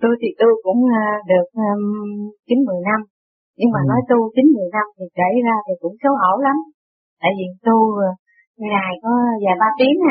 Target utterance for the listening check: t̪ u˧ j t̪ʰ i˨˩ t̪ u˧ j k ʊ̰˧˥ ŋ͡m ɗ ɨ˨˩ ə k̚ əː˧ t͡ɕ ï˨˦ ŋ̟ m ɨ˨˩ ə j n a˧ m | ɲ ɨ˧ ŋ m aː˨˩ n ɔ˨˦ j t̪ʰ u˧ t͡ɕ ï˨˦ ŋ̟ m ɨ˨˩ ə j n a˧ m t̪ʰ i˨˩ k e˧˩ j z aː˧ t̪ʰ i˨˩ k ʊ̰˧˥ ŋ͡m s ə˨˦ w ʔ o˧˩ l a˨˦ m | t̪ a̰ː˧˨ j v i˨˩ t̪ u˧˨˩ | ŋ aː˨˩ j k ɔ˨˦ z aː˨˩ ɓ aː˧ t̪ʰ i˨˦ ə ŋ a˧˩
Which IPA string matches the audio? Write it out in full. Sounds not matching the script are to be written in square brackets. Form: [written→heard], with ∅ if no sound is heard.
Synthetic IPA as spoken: t̪ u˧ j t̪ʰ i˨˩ t̪ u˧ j k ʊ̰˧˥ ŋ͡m ɗ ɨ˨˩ ə k̚ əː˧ t͡ɕ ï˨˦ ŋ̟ m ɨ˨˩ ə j n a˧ m | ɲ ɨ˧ ŋ m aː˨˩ n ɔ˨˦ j [t̪ʰ→t̪] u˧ t͡ɕ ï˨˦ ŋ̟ m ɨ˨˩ ə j n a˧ m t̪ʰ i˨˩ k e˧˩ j z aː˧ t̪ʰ i˨˩ k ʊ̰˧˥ ŋ͡m s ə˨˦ w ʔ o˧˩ l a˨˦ m | t̪ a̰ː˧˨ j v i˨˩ t̪ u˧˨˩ | ŋ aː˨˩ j k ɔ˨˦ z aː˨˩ ɓ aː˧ [t̪ʰ→t̪] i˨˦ ə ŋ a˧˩